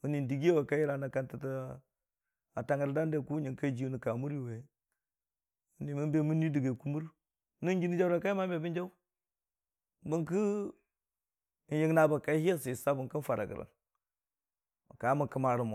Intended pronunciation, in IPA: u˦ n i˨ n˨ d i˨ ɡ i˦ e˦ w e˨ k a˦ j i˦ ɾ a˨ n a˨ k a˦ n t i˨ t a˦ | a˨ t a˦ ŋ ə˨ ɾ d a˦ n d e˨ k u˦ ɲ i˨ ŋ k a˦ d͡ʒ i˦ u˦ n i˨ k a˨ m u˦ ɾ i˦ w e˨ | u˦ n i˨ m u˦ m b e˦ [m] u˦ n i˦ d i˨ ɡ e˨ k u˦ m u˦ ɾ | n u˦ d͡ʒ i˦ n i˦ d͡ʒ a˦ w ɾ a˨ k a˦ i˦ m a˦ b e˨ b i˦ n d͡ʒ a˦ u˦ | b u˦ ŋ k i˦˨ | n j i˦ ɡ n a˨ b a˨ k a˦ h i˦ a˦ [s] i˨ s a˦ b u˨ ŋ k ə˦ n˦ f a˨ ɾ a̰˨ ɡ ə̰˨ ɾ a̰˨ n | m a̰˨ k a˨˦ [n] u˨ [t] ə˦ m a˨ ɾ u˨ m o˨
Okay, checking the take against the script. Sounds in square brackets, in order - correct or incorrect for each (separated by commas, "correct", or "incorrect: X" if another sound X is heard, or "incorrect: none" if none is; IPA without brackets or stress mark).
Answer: correct, correct, incorrect: m, incorrect: k